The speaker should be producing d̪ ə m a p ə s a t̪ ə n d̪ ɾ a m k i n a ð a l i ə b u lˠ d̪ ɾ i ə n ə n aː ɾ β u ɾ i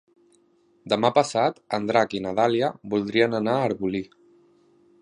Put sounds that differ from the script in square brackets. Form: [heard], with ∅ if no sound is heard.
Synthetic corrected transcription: d̪ ə m a p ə s a t̪ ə n d̪ ɾ a [∅] k i n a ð a l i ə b u lˠ d̪ ɾ i ə n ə n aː ɾ β u [l] i